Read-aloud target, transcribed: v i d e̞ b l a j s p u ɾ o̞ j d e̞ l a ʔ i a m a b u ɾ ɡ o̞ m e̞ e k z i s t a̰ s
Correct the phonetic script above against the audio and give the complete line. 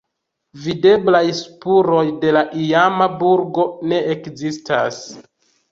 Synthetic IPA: v i d e̞ b l a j s p u ɾ o̞ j d e̞ l a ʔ i a m a b u ɾ ɡ o̞ n e̞ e k z i s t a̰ s